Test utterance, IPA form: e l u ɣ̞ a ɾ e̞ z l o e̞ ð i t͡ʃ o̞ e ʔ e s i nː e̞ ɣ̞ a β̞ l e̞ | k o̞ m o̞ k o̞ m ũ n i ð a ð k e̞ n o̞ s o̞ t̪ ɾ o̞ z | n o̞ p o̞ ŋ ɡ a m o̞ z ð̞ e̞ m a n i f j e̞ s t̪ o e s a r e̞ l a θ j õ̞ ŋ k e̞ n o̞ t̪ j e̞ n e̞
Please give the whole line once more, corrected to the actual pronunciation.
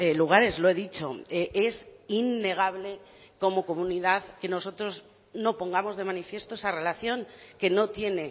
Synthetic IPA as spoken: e l u ɣ̞ a ɾ e̞ z l o e̞ ð i t͡ʃ o̞ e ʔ e s i nː e̞ ɣ̞ a β̞ l e̞ | k o̞ m o̞ k o̞ m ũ n i ð a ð k e̞ n o̞ s o̞ t̪ ɾ o̞ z | n o̞ p o̞ ŋ ɡ a m o̞ z ð̞ e̞ m a n i f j e̞ s t̪ o e s a r e̞ l a θ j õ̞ ŋ k e̞ n o̞ t̪ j e̞ n e̞